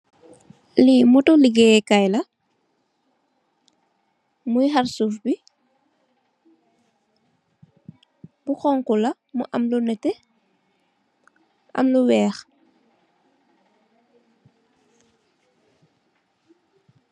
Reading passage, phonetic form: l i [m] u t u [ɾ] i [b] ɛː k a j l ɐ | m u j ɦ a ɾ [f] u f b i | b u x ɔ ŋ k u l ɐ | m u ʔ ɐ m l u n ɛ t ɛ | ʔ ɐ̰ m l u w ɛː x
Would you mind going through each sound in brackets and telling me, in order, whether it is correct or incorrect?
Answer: correct, incorrect: l, incorrect: ɡ, incorrect: s

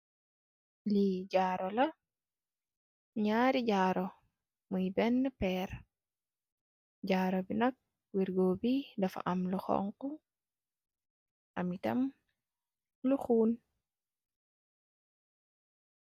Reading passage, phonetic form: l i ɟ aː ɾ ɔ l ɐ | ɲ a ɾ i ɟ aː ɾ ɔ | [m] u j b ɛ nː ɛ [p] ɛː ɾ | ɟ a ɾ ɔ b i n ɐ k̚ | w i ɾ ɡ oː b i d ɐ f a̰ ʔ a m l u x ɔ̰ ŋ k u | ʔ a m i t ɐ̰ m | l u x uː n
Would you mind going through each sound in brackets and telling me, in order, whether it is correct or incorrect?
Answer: correct, correct

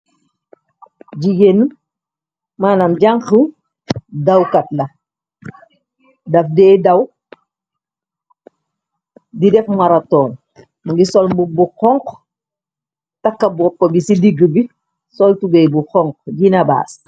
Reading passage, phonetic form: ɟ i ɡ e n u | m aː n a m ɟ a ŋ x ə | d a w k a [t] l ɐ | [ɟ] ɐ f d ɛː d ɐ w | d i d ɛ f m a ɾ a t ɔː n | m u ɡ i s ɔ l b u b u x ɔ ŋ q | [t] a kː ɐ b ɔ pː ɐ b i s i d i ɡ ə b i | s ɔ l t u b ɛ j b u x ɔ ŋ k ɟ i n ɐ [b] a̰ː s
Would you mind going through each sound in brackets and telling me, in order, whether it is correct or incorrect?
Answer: correct, incorrect: d, correct, correct

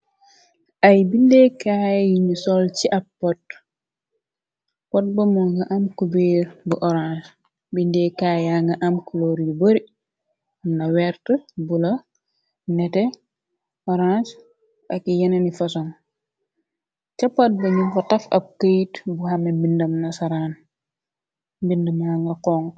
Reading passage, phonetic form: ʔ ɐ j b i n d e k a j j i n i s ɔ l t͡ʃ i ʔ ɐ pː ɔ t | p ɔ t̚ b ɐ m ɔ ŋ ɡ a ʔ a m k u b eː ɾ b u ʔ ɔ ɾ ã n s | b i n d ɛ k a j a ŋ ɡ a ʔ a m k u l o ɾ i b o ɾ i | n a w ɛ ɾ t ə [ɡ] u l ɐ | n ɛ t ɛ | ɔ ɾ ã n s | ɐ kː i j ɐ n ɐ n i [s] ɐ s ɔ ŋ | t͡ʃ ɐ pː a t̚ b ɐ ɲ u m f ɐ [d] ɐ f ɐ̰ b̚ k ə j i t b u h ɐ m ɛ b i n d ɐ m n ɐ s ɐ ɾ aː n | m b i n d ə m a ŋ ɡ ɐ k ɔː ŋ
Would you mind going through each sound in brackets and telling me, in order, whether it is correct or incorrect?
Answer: incorrect: b, incorrect: f, incorrect: t

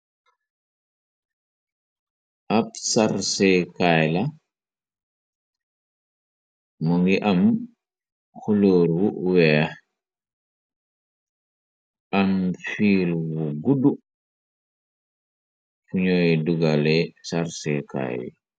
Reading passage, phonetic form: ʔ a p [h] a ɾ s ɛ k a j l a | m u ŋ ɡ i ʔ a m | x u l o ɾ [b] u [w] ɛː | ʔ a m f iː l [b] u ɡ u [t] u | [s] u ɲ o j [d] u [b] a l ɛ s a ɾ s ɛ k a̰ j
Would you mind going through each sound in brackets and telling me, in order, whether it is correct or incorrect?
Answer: incorrect: s, incorrect: w, correct, incorrect: w, incorrect: d, incorrect: f, correct, incorrect: ɡ

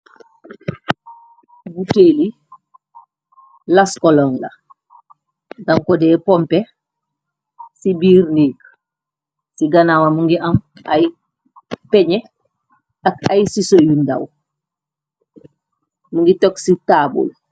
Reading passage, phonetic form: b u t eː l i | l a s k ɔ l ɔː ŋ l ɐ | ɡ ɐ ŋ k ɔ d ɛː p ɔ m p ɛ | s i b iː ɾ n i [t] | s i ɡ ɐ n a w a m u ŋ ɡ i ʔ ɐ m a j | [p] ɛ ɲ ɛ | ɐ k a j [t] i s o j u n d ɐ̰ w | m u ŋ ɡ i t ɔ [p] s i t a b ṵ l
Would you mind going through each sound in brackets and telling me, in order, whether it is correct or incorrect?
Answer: incorrect: k, correct, incorrect: s, incorrect: k

